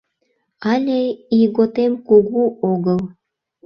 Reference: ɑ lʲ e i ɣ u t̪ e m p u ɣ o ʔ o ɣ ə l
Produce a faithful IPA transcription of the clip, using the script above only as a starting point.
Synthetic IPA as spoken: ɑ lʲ e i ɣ o t̪ e m k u ɣ u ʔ o ɣ ə l

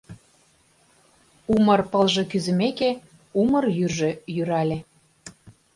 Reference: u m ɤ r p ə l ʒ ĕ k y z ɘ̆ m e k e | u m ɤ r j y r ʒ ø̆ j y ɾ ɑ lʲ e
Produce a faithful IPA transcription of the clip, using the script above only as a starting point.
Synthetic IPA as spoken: u m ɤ r p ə l ʒ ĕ k y z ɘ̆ m e k e | u m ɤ r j y r ʒ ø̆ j y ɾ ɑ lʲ e

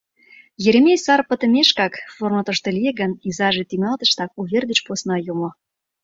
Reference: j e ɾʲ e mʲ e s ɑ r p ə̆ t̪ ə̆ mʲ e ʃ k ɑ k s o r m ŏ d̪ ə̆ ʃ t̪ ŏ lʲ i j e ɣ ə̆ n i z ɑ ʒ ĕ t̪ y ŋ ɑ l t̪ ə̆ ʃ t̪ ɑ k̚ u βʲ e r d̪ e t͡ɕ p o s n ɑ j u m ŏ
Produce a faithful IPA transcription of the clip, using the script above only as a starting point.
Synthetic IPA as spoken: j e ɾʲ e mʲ e s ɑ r p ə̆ t̪ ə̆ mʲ e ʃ k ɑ k f o r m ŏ t̪ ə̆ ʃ t̪ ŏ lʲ i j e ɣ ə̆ n i z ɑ ʒ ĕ t̪ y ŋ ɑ l t̪ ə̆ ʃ t̪ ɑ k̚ u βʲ e r d̪ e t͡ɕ p o s n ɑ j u m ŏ

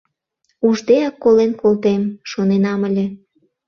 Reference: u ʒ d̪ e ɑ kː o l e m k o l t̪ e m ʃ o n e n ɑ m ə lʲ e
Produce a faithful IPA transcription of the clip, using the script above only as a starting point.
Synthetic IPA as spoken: u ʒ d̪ e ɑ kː o l e n k o l t̪ e m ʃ o n e n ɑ m ə lʲ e

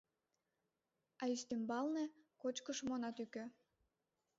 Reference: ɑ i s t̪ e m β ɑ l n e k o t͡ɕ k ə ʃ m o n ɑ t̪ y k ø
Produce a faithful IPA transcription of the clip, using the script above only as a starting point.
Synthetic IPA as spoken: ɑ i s t̪ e m b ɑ l n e k o t͡ɕ k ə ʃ m o n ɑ t̪ y k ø

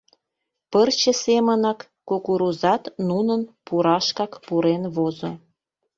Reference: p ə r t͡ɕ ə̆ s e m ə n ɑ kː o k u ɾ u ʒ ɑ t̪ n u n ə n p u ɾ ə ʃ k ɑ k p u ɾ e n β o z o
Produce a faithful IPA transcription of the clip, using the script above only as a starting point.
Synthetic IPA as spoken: p ə r t͡ɕ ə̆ s e m ə n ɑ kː o k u ɾ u z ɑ t̪ n u n ə n p u ɾ ɑ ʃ k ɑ k p u ɾ e n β o z o

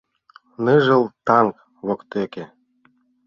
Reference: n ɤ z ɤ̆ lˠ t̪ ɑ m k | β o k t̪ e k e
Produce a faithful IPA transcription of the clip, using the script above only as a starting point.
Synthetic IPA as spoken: n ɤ ʒ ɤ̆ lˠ t̪ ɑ ŋ k | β o k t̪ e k e

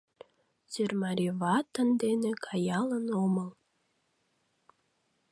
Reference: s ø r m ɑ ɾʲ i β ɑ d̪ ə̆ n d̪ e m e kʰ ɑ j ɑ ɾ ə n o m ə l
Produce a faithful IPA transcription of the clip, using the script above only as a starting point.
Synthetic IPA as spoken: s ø r m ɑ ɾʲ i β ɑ t̪ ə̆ n d̪ e n e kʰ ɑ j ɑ l ə n o m ə l

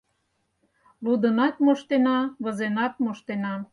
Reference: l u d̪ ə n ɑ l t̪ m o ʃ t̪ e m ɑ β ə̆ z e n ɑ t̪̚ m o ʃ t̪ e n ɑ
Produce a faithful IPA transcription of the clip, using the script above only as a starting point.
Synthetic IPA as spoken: l u d̪ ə n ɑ t̪ m o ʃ t̪ e n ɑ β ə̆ z e n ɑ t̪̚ m o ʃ t̪ e n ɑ

